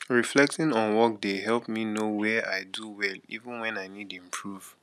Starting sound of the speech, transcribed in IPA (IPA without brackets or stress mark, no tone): ɹ